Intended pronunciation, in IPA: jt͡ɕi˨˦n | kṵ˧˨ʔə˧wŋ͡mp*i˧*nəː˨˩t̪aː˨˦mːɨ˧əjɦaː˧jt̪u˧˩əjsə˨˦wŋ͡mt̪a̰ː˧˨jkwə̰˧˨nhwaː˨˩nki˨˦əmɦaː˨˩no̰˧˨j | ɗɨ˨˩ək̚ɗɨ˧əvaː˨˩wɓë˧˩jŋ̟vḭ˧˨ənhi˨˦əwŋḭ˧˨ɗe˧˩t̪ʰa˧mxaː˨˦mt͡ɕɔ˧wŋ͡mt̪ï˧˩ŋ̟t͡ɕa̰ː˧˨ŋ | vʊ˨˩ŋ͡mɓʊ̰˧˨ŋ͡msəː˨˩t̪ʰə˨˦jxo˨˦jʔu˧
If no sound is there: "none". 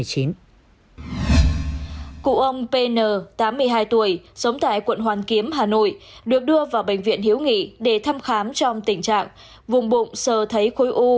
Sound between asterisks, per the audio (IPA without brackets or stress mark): e˧